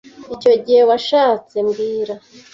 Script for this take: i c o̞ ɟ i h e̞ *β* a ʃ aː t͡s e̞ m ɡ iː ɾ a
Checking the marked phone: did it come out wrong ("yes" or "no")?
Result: yes